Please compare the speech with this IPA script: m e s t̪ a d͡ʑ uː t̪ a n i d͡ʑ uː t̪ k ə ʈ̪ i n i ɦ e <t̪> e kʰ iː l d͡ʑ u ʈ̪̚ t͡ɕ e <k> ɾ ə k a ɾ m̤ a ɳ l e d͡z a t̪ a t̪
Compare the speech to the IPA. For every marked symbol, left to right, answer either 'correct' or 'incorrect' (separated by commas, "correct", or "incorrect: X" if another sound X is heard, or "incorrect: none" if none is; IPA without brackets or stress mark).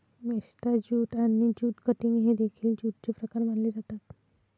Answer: incorrect: d̪, incorrect: p